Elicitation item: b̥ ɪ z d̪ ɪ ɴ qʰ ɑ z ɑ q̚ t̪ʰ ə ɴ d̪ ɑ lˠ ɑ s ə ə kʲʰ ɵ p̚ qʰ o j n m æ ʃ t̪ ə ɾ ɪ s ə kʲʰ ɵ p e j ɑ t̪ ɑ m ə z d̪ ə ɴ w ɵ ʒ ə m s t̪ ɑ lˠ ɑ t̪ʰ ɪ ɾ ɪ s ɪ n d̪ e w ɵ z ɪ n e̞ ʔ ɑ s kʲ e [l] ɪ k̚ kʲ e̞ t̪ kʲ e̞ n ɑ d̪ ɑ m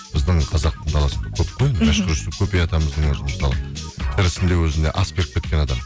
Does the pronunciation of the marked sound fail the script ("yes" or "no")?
yes